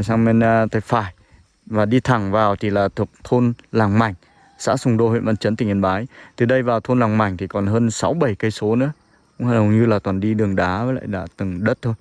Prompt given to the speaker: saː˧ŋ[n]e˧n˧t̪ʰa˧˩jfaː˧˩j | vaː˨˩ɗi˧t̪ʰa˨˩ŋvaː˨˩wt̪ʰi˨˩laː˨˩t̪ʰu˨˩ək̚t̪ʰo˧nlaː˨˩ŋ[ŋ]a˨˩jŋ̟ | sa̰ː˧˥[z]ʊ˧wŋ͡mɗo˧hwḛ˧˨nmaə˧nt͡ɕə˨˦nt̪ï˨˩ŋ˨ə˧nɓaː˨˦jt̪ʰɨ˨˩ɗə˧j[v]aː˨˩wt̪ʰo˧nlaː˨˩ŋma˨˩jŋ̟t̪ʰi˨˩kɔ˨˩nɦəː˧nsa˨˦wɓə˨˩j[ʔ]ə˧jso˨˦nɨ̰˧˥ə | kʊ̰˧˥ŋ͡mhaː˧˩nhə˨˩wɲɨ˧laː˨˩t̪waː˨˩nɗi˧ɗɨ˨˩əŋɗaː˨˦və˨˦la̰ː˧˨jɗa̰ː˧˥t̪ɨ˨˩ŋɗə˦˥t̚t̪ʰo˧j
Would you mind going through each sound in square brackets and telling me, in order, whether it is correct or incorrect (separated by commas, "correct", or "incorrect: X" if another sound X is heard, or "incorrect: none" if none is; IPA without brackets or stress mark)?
incorrect: m, incorrect: m, incorrect: s, correct, incorrect: k